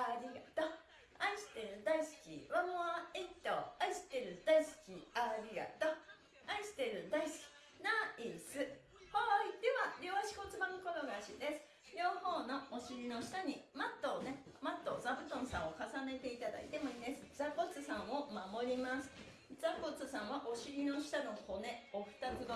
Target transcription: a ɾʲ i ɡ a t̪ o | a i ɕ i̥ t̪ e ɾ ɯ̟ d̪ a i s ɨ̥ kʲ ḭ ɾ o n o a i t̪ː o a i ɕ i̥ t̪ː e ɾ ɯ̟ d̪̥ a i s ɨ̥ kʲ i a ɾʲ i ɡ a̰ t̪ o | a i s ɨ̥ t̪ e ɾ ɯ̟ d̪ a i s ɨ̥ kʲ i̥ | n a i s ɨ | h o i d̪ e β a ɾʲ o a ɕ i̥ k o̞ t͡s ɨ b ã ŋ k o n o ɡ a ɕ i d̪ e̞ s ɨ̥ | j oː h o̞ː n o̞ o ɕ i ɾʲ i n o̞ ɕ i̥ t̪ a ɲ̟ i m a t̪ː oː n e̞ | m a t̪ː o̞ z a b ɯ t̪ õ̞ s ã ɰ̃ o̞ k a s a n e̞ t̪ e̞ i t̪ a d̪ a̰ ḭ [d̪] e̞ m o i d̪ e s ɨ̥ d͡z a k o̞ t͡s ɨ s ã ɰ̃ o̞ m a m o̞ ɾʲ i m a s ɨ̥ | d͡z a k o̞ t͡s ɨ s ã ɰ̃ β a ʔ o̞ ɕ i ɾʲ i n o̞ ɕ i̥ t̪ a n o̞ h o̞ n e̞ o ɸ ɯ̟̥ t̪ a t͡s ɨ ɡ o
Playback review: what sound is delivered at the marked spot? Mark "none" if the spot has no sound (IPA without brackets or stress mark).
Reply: t̪